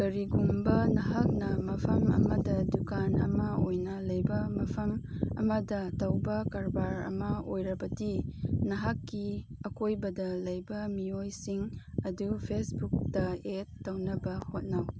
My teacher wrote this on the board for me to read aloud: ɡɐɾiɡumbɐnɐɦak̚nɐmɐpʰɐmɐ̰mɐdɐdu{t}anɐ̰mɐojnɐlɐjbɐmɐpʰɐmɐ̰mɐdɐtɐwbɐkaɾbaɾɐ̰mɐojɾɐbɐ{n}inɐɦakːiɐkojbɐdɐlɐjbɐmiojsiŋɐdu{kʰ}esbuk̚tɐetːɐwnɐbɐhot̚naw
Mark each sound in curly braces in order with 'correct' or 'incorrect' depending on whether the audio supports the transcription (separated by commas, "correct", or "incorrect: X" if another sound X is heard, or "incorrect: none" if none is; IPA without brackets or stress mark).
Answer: incorrect: k, incorrect: d, incorrect: pʰ